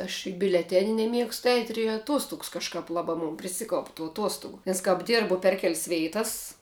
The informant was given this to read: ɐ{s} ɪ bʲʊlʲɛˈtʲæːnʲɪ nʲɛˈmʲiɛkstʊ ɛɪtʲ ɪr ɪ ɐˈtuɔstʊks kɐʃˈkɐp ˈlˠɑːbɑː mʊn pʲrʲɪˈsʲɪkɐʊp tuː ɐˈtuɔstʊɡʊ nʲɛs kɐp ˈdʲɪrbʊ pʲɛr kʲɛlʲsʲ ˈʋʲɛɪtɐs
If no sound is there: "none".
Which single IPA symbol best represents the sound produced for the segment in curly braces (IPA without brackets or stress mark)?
ʃ